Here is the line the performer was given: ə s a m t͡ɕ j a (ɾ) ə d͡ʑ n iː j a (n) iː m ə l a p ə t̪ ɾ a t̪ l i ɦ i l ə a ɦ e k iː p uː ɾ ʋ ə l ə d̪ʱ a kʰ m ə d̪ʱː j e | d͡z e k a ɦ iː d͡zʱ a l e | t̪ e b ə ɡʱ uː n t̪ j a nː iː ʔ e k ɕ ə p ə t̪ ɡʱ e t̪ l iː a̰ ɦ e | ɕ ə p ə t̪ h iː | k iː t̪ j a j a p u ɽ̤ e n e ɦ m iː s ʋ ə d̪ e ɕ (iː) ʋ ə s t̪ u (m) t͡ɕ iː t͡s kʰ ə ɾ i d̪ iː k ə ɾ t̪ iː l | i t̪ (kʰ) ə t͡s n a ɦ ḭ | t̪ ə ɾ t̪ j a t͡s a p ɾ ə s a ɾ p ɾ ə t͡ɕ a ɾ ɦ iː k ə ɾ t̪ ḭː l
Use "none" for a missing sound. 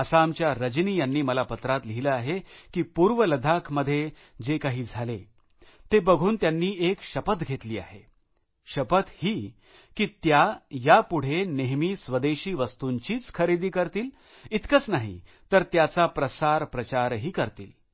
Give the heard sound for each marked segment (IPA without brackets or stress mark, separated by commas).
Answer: ɾ, nː, iː, ɲ, k